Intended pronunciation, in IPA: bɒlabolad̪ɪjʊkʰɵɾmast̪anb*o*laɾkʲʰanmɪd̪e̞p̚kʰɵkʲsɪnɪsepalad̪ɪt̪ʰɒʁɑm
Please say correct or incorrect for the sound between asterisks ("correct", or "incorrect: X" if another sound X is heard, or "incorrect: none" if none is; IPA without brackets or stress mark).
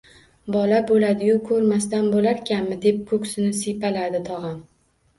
correct